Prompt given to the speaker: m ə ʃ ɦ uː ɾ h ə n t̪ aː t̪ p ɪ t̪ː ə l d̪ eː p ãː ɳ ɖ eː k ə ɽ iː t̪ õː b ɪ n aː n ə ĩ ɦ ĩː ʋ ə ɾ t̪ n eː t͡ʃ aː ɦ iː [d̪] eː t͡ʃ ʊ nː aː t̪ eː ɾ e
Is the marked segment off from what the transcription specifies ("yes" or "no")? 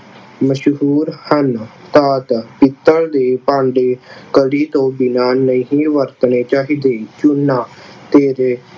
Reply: no